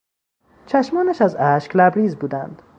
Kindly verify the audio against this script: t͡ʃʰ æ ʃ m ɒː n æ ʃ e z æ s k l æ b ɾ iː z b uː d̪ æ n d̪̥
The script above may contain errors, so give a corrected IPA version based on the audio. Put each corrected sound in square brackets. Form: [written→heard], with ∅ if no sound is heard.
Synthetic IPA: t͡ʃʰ æ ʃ m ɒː n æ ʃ [e→æ] z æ [s→ʃ] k l æ b ɾ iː z b uː d̪ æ n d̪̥